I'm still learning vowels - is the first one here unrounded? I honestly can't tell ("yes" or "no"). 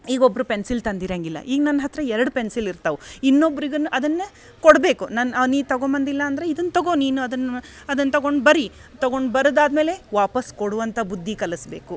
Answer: yes